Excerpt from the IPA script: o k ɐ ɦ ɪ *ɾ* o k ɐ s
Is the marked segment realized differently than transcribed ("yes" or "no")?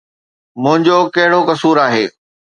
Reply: yes